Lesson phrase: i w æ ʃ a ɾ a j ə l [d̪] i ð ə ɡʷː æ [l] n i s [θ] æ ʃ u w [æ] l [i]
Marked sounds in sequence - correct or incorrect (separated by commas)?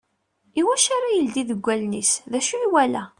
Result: correct, correct, incorrect, correct, incorrect